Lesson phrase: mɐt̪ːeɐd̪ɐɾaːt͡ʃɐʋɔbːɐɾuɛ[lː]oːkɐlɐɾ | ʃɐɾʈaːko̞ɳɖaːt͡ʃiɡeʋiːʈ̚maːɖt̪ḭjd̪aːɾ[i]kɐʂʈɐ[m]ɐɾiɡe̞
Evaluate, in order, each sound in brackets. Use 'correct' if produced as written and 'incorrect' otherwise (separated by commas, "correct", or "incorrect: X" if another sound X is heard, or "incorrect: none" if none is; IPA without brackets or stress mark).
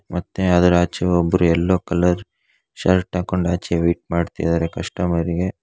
correct, incorrect: e, correct